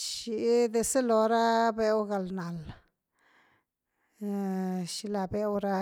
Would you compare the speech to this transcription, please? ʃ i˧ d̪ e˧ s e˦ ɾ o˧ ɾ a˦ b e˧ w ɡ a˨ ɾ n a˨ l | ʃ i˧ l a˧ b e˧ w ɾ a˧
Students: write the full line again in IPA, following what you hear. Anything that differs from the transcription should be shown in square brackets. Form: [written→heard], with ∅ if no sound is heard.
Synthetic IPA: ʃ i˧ d̪ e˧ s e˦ [ɾ→l] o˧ ɾ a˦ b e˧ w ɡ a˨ [ɾ→l] n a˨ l | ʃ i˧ l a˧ b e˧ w ɾ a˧

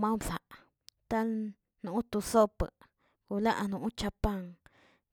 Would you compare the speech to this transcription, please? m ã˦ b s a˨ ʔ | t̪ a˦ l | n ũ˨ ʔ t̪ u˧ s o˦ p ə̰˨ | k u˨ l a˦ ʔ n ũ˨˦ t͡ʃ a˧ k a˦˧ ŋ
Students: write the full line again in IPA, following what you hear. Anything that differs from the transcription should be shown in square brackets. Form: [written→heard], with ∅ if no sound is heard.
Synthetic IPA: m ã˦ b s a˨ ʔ | t̪ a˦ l | n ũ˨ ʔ t̪ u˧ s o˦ p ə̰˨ | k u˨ l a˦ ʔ n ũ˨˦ t͡ʃ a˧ [k→p] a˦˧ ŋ

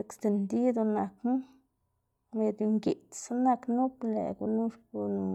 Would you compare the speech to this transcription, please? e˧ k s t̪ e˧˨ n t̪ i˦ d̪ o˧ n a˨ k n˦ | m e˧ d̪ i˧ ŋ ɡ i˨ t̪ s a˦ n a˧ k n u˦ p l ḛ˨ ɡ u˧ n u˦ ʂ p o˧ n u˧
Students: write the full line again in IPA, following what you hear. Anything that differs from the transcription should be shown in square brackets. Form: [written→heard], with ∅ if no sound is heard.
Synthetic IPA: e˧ k s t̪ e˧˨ n [t̪→d̪] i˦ d̪ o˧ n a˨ k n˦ | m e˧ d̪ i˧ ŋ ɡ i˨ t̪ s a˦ n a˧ k n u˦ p l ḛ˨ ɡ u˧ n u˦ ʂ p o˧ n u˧

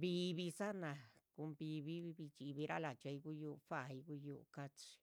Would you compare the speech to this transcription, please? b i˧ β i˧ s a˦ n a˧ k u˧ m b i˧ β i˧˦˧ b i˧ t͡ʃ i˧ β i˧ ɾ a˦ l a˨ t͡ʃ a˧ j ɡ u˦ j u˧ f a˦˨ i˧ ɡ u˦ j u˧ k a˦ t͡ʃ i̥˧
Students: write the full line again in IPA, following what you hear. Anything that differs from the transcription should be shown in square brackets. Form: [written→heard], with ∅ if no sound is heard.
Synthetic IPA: b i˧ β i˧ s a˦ n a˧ k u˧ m b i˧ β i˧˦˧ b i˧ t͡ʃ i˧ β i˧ ɾ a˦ l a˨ t͡ʃ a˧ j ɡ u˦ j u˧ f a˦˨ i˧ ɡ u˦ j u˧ k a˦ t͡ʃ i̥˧

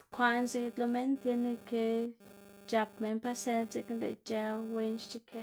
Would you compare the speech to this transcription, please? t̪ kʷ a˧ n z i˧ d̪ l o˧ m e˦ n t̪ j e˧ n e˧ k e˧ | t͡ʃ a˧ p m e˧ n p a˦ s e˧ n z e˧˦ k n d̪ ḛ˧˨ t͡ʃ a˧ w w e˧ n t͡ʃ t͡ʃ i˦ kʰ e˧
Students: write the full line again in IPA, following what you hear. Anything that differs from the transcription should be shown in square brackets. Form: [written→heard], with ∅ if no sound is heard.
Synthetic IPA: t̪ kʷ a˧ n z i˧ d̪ l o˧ m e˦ n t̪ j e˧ n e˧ k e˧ | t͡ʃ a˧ p m e˧ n p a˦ s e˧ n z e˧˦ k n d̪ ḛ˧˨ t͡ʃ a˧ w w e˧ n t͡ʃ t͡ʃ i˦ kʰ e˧

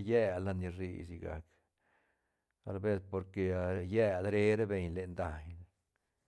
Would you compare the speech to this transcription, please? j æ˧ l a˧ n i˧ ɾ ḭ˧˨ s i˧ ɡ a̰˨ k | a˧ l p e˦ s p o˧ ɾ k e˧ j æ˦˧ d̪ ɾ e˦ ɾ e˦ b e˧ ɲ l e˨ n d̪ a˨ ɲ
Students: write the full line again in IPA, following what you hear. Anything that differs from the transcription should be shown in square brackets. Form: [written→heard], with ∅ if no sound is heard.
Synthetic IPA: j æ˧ l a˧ n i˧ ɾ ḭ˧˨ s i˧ ɡ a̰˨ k | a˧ l [p→b] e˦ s p o˧ ɾ k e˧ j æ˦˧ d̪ ɾ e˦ ɾ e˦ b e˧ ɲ l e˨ n d̪ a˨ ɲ

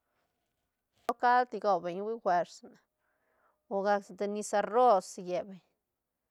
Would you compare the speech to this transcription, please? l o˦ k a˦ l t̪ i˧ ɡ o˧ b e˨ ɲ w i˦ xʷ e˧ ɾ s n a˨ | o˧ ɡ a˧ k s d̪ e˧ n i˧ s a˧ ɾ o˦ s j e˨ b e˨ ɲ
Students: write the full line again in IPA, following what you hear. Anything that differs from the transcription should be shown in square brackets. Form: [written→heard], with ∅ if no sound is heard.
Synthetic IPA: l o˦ k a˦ l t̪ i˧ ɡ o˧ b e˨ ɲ w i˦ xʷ e˧ ɾ s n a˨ | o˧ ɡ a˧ k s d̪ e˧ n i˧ s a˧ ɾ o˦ s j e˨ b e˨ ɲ

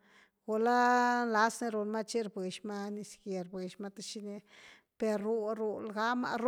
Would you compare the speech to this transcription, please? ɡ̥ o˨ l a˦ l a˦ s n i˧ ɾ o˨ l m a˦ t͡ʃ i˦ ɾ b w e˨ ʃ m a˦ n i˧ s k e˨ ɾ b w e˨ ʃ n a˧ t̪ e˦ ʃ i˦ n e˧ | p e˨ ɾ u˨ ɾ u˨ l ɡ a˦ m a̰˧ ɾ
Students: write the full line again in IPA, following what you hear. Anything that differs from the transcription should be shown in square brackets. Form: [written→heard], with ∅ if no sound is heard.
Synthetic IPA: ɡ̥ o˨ l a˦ l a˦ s n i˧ ɾ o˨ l m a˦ t͡ʃ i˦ ɾ b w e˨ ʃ m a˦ n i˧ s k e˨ ɾ b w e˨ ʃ [n→m] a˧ t̪ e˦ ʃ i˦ n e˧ | p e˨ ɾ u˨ ɾ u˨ l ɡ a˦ m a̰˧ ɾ

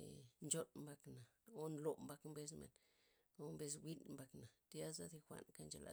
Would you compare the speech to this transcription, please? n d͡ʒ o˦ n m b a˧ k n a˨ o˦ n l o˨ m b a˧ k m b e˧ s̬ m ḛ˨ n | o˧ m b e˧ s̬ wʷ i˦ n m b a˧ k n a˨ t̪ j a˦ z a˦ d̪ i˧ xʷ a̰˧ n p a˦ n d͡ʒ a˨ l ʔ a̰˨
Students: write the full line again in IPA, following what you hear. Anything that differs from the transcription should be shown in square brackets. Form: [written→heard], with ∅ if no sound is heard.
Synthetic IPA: n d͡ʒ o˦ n m b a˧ k n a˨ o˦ n l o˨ m b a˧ k m b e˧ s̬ m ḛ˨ n | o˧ m b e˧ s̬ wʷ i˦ n m b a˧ k n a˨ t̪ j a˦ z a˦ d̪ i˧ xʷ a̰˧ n [p→k] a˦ n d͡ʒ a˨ l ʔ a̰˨

